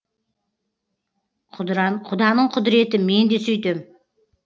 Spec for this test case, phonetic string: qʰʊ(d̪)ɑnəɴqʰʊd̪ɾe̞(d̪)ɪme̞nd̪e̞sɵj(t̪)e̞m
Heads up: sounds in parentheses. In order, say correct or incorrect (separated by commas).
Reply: correct, incorrect, correct